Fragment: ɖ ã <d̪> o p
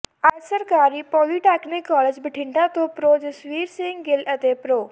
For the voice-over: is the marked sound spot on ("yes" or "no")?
no